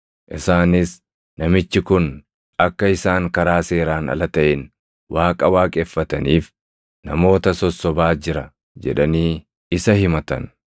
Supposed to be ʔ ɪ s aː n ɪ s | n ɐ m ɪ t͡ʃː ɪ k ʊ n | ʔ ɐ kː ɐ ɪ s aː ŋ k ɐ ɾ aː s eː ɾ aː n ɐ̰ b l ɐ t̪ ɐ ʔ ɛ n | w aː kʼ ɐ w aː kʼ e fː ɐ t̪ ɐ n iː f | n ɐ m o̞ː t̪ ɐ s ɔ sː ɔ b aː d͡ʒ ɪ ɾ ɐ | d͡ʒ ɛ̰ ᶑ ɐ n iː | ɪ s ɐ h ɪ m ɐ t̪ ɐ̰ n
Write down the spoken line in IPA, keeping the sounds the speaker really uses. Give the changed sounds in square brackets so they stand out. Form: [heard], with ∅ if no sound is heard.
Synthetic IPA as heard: ʔ ɪ s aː n ɪ s | n ɐ m ɪ t͡ʃː ɪ k ʊ n | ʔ ɐ kː ɐ ɪ s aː ŋ k ɐ ɾ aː s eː ɾ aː n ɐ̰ [∅] l ɐ t̪ ɐ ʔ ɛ n | w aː kʼ ɐ w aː kʼ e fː ɐ t̪ ɐ n iː f | n ɐ m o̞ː t̪ ɐ s ɔ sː ɔ b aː d͡ʒ ɪ ɾ ɐ | d͡ʒ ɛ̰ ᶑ ɐ n iː | ɪ s ɐ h ɪ m ɐ t̪ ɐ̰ n